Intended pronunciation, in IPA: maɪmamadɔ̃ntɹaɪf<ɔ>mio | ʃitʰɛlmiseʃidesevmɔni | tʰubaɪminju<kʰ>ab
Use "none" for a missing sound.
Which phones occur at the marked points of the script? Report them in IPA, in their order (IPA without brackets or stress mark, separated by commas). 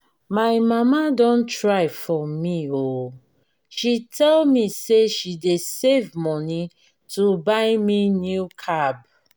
ɔ, kʰ